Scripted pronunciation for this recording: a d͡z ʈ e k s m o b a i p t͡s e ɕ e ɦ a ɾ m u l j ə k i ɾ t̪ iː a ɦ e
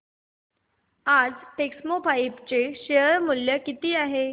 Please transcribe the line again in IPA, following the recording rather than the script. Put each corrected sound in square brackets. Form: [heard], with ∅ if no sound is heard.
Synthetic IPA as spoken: a d͡z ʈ e k s m o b a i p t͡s e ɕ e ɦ [ə] ɾ m u l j ə k i [∅] t̪ iː a ɦ e